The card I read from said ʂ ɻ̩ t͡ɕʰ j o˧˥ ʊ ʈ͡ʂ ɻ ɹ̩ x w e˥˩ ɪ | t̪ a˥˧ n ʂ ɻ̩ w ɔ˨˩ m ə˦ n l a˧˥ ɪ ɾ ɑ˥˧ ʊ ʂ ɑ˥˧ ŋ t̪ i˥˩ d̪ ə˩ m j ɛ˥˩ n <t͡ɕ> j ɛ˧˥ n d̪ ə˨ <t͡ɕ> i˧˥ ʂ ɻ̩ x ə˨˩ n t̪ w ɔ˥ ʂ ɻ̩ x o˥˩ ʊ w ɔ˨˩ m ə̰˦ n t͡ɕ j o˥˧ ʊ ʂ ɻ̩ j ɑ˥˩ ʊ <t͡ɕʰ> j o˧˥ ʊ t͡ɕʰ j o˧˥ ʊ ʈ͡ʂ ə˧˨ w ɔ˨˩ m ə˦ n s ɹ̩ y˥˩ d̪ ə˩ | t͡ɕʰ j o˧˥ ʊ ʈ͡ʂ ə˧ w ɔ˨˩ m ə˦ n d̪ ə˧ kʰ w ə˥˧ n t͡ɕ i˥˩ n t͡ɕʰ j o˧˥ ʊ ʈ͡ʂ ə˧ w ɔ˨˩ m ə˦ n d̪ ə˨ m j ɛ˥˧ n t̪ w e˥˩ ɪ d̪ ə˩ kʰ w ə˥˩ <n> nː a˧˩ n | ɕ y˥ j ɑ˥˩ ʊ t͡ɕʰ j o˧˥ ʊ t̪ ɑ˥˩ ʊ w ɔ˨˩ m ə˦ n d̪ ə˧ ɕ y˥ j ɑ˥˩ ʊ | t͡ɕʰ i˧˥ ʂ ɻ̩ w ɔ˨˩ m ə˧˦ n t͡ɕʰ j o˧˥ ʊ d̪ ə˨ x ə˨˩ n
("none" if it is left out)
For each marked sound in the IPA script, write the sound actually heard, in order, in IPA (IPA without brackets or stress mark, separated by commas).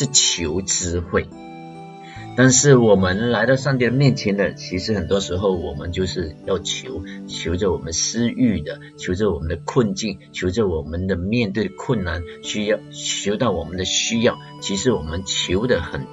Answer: t͡ɕʰ, t͡ɕʰ, t͡ɕʰ, n